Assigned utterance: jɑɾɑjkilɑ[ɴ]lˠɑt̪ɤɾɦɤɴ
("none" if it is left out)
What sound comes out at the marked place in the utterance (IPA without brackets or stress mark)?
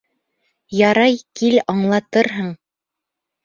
ɴ